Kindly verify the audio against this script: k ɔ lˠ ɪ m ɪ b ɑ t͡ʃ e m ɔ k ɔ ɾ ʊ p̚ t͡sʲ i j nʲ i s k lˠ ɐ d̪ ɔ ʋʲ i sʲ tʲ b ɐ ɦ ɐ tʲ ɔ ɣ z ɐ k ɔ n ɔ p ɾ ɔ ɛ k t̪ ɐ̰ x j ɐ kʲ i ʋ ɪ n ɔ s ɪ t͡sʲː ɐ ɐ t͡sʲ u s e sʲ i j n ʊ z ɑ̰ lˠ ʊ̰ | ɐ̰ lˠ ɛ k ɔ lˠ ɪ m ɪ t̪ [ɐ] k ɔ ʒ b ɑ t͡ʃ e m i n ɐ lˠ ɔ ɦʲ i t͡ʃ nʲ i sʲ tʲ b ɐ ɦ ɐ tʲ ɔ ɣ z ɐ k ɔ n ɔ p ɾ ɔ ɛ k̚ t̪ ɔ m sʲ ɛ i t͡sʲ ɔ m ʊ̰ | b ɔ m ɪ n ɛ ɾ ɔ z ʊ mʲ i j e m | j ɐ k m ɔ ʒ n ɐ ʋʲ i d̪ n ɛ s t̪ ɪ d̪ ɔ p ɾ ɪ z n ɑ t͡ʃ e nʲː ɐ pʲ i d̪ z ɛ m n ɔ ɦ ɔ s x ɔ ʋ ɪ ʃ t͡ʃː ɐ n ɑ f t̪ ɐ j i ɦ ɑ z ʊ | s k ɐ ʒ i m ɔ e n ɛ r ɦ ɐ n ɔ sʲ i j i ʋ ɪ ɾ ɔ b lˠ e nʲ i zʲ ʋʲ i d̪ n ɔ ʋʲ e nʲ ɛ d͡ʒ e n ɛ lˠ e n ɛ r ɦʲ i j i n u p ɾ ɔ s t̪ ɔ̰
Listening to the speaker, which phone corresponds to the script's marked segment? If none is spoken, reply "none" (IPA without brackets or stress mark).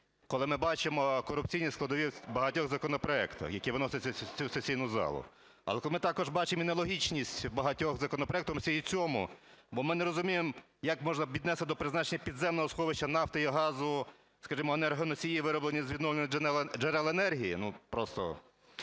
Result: ɑ